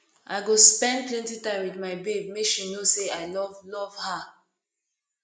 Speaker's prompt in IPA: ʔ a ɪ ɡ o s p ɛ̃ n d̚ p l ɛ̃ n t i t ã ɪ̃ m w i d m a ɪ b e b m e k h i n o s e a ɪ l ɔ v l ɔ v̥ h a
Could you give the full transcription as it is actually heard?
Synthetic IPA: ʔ a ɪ ɡ o s p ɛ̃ n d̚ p l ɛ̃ n t i t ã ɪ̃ m w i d m a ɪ b e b m e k ʃ i n o s e a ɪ l ɔ v l ɔ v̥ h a